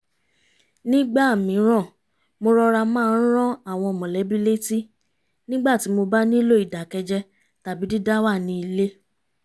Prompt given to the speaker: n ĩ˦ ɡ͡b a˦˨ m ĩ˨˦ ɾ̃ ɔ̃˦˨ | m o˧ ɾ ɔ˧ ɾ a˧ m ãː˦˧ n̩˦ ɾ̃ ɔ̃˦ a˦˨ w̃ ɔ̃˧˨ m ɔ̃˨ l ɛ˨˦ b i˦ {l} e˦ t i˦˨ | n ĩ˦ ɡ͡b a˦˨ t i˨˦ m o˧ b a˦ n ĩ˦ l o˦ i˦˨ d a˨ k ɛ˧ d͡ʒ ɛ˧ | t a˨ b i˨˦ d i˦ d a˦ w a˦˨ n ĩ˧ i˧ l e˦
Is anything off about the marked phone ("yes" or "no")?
no